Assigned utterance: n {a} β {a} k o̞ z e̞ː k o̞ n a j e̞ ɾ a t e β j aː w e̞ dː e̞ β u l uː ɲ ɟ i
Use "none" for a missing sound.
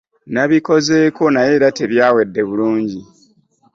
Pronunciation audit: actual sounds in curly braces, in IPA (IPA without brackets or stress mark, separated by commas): a, i